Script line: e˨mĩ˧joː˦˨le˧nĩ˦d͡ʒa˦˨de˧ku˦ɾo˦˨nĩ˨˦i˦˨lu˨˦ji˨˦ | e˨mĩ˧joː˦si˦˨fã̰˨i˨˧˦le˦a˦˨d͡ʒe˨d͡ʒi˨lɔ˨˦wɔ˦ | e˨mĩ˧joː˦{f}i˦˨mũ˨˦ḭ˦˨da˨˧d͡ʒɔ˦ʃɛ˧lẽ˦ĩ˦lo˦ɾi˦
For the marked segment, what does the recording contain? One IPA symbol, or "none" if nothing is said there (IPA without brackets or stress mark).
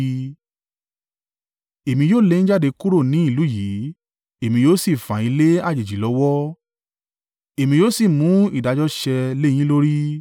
s